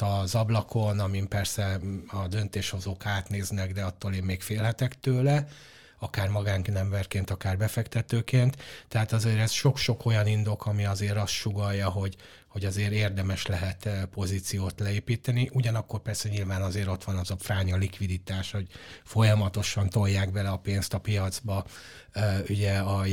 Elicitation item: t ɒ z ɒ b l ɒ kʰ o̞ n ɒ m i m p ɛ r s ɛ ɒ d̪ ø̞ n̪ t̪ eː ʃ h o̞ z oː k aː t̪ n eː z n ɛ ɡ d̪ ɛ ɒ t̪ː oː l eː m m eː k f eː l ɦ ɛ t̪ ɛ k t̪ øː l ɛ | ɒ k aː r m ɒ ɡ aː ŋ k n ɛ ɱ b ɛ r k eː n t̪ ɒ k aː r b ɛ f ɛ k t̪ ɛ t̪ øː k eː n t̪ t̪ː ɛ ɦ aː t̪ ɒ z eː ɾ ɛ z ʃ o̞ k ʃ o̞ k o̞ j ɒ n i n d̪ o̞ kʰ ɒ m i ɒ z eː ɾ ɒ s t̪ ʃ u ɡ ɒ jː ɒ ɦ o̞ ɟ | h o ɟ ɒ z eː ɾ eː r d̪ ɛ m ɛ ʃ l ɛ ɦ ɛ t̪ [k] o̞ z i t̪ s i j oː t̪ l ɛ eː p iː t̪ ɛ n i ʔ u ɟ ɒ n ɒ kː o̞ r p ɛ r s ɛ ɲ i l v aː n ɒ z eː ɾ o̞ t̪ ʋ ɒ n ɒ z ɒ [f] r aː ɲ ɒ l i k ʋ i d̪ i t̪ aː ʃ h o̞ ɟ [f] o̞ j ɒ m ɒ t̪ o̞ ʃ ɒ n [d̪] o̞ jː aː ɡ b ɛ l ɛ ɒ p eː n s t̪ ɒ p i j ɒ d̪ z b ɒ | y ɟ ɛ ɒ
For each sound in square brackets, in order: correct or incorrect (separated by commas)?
incorrect, correct, correct, incorrect